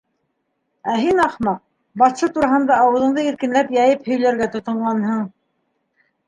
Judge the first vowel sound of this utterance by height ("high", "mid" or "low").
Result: low